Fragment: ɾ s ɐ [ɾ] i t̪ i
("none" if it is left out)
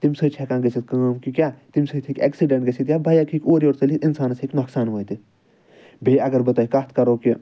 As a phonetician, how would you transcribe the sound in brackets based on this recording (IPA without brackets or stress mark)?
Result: l